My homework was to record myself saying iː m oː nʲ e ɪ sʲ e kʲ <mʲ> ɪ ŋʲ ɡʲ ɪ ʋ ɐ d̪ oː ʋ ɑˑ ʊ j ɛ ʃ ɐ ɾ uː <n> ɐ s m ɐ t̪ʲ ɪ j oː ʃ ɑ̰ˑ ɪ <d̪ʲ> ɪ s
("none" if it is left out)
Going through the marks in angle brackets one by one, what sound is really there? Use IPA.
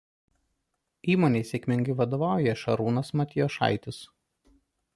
mʲ, n, t̪ʲ

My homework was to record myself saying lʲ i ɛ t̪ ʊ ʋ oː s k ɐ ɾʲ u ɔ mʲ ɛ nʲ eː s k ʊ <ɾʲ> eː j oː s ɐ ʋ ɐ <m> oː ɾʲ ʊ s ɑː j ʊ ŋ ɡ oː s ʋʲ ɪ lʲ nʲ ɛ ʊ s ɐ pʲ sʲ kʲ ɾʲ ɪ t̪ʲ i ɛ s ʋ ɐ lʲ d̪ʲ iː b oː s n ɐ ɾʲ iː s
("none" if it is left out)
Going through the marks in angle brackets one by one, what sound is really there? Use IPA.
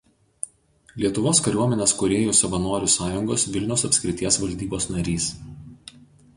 ɾʲ, n

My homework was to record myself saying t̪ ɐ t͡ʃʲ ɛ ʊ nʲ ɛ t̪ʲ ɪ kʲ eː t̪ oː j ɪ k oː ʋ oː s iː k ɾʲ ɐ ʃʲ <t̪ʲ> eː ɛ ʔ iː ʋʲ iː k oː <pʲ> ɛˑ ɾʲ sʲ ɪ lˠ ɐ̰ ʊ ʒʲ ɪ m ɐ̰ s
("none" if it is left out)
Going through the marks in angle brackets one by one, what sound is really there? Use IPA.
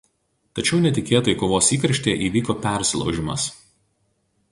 t̪ʲ, pʲ

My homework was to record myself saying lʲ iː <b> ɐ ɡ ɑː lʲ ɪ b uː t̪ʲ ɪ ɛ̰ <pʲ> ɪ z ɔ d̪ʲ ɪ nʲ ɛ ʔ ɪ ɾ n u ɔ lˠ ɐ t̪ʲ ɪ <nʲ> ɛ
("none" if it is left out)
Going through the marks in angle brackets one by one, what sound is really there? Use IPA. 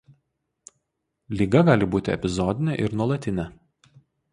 ɡ, pʲ, nʲ

